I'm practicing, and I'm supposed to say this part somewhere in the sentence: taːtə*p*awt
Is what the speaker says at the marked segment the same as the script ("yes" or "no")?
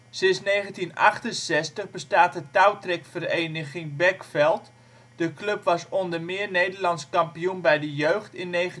no